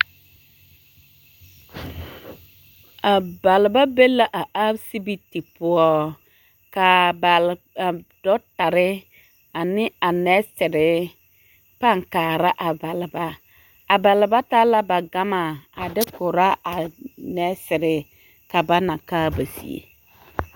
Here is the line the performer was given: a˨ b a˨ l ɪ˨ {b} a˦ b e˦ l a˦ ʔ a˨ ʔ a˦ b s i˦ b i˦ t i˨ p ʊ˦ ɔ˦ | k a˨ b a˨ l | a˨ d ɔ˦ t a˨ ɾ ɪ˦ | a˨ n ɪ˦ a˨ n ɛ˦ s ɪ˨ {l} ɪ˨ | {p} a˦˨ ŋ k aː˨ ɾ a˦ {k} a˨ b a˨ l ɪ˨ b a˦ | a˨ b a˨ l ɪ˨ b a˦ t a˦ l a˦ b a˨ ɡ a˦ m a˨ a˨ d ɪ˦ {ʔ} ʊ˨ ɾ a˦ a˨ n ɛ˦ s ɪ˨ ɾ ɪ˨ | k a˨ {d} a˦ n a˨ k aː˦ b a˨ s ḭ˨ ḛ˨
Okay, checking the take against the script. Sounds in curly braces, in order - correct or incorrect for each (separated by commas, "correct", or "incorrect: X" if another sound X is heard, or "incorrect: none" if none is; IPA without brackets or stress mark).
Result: correct, incorrect: ɾ, correct, incorrect: ʔ, incorrect: k, incorrect: b